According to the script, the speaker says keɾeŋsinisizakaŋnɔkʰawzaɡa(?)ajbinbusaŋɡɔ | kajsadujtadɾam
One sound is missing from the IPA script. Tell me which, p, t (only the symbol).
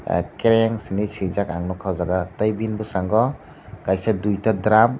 t